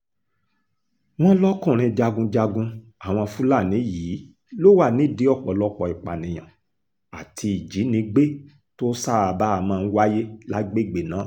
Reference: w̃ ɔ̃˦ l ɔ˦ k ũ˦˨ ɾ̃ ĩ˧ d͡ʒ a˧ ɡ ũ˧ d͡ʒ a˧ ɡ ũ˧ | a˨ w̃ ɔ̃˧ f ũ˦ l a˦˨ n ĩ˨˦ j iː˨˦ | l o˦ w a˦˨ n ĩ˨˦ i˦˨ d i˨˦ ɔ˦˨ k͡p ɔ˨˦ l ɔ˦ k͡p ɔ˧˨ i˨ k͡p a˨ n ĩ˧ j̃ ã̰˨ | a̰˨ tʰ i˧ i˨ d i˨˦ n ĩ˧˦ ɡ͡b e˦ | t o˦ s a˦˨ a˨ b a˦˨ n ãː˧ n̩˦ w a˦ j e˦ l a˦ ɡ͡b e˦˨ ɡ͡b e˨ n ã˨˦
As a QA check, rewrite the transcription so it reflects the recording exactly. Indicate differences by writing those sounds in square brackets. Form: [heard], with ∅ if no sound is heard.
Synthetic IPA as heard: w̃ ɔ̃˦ l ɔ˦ k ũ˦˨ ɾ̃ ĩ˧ d͡ʒ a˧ ɡ ũ˧ d͡ʒ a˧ ɡ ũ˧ | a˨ w̃ ɔ̃˧ f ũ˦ l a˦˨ n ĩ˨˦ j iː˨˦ | l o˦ w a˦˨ n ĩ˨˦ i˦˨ d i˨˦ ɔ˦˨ k͡p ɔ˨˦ l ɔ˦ k͡p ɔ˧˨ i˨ k͡p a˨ n ĩ˧ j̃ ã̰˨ | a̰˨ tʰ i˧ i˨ [d͡ʒ] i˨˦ n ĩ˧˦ ɡ͡b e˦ | t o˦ s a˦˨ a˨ b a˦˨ [m] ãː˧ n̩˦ w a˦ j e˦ l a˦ ɡ͡b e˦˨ ɡ͡b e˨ n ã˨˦